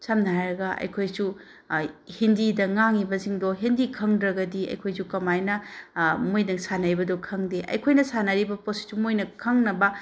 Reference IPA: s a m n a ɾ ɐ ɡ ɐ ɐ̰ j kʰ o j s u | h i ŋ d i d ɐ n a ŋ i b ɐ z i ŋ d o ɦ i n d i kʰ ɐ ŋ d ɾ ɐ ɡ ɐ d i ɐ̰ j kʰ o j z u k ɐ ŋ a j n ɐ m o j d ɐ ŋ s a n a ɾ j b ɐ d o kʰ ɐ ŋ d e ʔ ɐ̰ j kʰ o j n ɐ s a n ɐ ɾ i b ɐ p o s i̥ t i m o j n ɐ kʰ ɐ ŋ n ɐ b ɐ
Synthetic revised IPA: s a m n a ɾ ɐ ɡ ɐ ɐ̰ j kʰ o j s u | h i n d i d ɐ ŋ a ŋ i b ɐ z i ŋ d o ɦ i n d i kʰ ɐ ŋ d ɾ ɐ ɡ ɐ d i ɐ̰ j kʰ o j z u k ɐ m a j n ɐ m o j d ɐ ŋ s a n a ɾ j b ɐ d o kʰ ɐ ŋ d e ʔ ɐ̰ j kʰ o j n ɐ s a n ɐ ɾ i b ɐ p o s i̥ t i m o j n ɐ kʰ ɐ ŋ n ɐ b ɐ